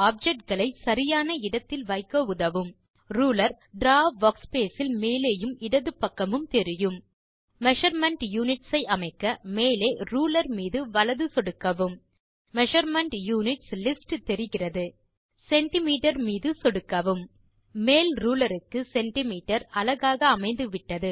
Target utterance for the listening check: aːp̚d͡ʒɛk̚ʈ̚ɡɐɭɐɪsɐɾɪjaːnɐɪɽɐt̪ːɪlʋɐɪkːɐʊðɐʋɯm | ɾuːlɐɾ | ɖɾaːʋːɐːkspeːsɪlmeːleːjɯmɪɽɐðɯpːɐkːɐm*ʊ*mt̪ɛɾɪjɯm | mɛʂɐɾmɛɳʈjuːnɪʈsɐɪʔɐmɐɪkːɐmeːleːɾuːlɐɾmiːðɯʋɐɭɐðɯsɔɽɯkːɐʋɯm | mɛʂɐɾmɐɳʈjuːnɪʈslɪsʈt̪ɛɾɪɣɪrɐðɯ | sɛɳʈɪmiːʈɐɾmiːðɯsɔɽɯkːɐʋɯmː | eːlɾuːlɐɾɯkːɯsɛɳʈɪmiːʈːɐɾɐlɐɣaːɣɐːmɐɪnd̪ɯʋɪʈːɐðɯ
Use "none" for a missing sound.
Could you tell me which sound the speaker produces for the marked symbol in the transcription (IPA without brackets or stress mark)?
ɯ